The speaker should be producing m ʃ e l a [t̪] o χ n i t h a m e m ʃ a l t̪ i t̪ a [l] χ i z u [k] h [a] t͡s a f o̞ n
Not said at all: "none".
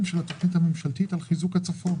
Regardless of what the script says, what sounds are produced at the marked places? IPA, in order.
t̪, l, k, a

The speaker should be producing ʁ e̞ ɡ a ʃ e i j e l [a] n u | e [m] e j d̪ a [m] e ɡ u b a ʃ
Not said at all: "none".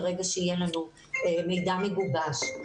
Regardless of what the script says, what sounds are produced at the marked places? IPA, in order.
a, m, m

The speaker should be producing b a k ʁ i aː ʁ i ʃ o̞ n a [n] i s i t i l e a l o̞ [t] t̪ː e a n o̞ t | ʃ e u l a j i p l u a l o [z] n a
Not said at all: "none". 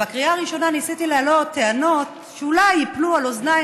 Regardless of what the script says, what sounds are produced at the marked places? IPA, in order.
n, t, z

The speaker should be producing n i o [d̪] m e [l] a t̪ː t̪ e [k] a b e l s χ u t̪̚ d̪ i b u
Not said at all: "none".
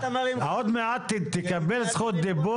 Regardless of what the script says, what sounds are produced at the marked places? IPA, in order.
d̪, none, k

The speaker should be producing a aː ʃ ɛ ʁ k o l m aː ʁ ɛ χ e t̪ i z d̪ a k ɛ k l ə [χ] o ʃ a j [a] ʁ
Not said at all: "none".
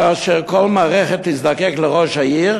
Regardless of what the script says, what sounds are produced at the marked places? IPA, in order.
ʁ, i

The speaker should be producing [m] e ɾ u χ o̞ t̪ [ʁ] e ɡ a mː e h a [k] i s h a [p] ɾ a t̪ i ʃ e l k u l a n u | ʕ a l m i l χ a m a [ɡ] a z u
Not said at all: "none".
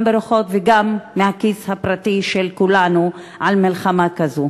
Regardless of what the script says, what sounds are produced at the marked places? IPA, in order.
b, v, k, p, k

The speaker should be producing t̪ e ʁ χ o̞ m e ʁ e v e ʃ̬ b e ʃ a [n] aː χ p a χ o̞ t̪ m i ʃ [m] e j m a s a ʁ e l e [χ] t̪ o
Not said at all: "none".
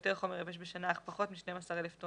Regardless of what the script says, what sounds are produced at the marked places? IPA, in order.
n, n, f

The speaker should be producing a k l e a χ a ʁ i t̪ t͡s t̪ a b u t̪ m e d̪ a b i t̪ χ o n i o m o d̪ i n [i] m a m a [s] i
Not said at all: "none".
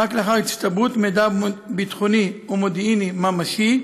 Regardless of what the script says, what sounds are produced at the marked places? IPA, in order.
i, ʃ

